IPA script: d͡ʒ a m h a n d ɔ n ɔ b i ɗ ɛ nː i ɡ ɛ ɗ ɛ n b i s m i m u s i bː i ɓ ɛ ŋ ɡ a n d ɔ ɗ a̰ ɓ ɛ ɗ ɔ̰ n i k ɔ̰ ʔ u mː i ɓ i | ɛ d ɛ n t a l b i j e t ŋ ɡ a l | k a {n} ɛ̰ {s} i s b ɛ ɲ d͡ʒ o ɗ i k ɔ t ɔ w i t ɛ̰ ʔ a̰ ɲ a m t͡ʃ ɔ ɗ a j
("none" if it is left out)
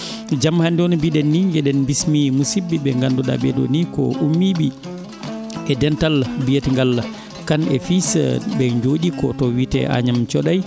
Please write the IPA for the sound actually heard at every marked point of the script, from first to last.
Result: n, f

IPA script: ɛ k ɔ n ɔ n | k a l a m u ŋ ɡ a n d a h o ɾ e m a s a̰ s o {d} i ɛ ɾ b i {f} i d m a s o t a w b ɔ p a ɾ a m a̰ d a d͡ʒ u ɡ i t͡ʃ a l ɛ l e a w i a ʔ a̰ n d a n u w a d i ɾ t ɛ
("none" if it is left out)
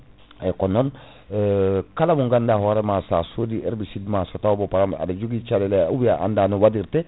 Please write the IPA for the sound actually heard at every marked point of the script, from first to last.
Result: d, s

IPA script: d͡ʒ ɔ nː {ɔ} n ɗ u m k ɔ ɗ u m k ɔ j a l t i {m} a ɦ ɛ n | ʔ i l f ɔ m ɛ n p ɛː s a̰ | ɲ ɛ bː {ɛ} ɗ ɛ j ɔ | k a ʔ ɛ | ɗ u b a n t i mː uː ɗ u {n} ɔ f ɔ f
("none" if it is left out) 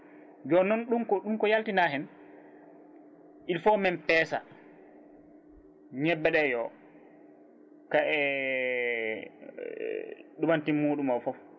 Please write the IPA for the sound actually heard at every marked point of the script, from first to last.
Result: ɔ, n, ɛ, m

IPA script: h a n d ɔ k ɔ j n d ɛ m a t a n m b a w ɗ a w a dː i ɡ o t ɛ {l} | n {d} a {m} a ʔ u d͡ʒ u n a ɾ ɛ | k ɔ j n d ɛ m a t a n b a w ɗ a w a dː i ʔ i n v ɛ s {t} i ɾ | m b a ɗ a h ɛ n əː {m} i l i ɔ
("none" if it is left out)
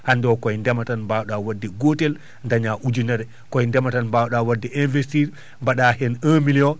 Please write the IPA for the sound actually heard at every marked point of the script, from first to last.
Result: l, d, ɲ, t, m

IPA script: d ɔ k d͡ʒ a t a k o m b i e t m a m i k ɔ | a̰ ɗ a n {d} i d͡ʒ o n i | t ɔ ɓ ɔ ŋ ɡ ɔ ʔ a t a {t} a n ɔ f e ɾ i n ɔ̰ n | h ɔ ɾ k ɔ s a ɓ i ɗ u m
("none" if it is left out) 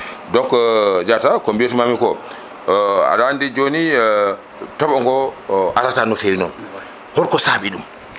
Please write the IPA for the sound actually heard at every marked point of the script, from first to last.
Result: d, t

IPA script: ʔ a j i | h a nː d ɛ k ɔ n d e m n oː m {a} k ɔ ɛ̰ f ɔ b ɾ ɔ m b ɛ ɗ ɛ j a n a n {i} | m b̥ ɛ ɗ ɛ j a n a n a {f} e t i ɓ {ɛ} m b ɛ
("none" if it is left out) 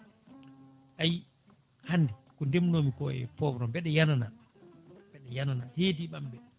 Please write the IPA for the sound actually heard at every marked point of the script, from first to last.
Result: i, a, h, a

